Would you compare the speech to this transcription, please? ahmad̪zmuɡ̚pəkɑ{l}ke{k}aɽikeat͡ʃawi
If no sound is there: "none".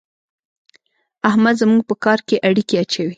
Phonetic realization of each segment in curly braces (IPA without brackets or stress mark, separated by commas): ɾ, ʔ